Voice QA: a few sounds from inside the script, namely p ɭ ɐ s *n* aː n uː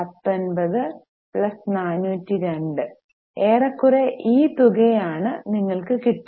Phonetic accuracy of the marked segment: correct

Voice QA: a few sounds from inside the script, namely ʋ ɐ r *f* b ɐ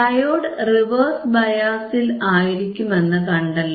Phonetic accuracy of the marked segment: incorrect: s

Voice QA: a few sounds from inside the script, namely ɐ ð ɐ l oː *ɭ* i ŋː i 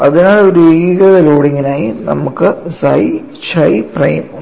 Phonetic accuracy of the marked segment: incorrect: ɽ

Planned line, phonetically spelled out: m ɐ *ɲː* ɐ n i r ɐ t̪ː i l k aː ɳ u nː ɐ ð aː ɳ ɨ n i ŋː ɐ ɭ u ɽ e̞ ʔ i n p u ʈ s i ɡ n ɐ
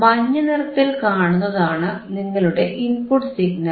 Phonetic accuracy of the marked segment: correct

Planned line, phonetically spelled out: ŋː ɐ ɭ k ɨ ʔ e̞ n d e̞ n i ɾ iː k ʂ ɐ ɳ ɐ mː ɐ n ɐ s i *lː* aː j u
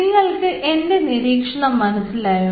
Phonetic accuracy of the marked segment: incorrect: l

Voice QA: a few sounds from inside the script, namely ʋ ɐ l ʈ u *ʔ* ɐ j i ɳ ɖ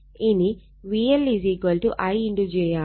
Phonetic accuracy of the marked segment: correct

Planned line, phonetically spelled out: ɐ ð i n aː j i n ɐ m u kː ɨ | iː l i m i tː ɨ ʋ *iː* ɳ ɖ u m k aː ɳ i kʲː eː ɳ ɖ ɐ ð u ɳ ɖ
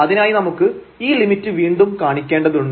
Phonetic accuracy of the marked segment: correct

